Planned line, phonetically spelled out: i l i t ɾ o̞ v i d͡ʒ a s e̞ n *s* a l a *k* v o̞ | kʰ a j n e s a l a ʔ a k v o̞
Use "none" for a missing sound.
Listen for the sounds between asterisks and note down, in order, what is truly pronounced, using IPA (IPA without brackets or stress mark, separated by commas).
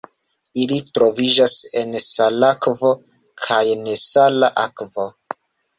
s, k